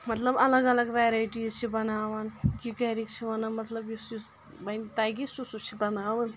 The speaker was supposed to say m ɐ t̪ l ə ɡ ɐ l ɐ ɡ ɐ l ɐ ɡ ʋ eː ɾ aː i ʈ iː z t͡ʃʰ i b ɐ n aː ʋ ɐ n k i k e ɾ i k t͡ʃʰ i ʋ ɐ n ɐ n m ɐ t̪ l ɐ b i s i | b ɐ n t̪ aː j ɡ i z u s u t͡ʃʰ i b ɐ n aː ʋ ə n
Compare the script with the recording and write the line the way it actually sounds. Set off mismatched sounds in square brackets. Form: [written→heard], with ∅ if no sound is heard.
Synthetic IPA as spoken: m ɐ t̪ l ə [ɡ→b] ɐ l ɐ ɡ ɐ l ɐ ɡ ʋ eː ɾ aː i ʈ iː z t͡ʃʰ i b ɐ n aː ʋ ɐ n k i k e ɾ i k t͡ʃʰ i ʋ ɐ n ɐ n m ɐ t̪ l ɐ b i s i | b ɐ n t̪ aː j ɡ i [z→s] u s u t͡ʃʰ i b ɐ n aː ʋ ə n

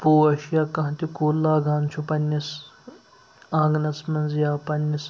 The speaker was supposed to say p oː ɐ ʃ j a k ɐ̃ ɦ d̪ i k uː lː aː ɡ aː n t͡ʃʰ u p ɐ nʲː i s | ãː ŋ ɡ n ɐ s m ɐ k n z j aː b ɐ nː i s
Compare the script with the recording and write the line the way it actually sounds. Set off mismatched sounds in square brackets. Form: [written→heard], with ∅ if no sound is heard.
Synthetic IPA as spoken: p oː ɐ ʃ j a k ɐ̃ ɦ [d̪→t̪] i k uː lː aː ɡ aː n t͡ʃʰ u p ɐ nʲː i s | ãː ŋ ɡ n ɐ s m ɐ [k→∅] n z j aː [b→p] ɐ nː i s

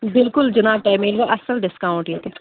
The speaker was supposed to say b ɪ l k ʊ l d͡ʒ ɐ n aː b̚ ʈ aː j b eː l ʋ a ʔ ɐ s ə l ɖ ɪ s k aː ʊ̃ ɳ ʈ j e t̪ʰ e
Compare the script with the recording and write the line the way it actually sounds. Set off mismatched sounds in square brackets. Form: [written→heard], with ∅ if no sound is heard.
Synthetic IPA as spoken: b ɪ l k ʊ l d͡ʒ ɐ n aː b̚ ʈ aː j [b→m] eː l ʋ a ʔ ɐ s ə l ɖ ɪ s k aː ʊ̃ ɳ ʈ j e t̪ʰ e

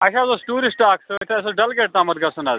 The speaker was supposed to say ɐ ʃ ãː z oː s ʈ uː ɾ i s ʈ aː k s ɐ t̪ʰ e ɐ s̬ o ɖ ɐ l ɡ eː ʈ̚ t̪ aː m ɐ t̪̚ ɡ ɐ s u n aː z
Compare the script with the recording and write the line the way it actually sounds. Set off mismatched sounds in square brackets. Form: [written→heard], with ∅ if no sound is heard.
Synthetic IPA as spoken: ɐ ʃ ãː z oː s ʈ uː ɾ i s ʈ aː k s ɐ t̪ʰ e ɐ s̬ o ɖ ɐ l ɡ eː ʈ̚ t̪ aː m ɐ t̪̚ ɡ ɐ s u n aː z

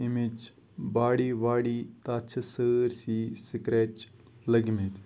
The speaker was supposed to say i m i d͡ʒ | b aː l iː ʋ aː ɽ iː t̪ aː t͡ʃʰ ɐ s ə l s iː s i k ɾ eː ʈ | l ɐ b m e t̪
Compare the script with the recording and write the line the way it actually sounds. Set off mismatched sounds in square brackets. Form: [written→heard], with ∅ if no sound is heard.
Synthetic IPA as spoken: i m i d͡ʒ | b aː [l→ɽ] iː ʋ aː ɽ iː t̪ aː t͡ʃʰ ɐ s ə [l→ɾ] s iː s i k ɾ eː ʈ | l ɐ [b→ɡ] m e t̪

